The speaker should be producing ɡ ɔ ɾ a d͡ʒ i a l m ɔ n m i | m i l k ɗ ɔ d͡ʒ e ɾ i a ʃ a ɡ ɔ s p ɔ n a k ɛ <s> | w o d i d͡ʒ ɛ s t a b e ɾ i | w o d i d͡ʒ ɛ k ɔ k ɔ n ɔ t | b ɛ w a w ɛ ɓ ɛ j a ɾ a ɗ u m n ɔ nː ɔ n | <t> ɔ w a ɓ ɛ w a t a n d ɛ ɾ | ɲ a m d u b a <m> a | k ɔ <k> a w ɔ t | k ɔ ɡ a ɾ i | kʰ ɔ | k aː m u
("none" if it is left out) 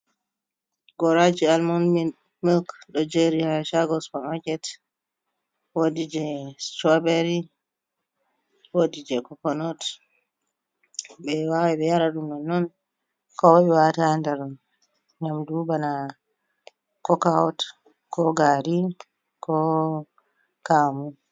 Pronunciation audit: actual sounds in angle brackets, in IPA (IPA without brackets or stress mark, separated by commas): t, k, n, k